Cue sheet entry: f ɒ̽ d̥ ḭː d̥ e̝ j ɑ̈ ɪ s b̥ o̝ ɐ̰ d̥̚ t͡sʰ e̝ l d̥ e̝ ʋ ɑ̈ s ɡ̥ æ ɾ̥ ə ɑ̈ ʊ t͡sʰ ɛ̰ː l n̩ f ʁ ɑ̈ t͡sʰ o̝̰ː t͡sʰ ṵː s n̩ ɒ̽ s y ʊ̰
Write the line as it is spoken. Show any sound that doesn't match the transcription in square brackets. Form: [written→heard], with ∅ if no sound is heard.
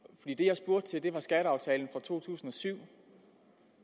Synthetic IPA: f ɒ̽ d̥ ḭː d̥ e̝ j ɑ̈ ɪ s b̥ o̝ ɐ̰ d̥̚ t͡sʰ e̝ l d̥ e̝ ʋ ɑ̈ s ɡ̥ æ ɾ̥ ə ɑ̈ ʊ t͡sʰ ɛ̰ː l n̩ f ʁ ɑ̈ t͡sʰ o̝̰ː t͡sʰ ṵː s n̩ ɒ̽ s y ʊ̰